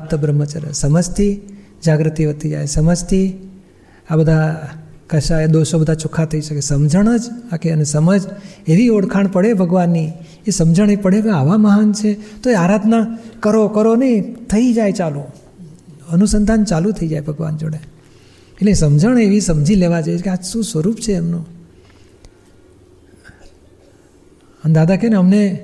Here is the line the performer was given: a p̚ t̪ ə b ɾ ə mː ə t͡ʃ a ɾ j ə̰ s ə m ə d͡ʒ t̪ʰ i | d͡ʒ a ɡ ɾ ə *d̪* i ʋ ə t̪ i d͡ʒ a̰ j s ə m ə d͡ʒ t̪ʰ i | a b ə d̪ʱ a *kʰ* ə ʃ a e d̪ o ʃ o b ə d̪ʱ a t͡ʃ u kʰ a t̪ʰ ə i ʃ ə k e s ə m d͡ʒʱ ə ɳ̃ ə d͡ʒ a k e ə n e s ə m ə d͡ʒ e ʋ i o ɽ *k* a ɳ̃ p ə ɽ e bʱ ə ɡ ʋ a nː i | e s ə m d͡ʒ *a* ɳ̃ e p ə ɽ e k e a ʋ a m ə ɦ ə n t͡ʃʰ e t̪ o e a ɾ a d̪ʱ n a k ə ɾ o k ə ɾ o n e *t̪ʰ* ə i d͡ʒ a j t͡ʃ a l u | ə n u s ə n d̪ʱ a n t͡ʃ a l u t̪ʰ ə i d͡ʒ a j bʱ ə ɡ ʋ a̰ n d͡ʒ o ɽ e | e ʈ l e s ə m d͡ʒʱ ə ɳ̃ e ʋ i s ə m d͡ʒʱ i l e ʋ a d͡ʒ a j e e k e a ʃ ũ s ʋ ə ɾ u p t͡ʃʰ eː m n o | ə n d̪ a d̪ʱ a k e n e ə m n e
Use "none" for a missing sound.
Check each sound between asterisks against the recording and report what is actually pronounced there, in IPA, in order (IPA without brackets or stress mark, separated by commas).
t̪, k, kʰ, ə, t̪ʰ